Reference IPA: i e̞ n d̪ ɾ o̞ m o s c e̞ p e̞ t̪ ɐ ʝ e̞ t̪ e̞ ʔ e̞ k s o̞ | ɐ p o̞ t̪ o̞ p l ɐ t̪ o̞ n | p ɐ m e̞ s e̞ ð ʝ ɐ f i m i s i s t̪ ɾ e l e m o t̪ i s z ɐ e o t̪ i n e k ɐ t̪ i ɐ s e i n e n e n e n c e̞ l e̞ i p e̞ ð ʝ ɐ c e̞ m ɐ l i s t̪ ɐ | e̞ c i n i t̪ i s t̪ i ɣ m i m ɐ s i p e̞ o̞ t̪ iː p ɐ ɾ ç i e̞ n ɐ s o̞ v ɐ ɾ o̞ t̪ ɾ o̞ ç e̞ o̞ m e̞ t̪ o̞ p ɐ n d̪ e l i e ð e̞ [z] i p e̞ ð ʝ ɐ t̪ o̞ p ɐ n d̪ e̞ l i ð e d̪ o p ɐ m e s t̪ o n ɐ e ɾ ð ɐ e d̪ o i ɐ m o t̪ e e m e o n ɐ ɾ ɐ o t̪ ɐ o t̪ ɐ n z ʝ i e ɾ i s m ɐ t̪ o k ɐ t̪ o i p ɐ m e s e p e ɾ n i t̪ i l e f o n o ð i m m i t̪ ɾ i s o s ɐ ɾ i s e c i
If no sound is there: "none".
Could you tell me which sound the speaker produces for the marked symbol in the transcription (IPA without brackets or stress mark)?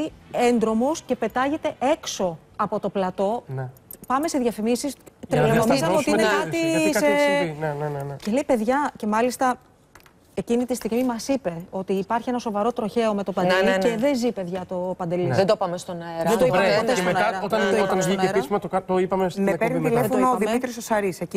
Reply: z